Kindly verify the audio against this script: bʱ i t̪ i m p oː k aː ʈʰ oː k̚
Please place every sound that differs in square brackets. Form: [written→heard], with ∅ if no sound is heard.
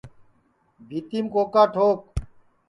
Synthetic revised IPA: bʱ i t̪ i m [p→k] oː k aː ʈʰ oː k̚